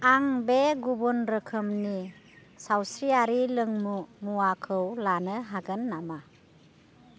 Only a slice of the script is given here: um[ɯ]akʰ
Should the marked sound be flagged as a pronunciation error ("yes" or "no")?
yes